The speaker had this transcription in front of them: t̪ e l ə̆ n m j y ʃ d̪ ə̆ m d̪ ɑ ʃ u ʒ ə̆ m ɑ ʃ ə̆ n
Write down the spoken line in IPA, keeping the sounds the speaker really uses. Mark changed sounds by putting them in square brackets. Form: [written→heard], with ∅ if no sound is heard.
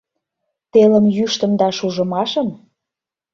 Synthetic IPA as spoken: t̪ e l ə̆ [n→∅] m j y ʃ [d̪→t̪] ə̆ m d̪ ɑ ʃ u ʒ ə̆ m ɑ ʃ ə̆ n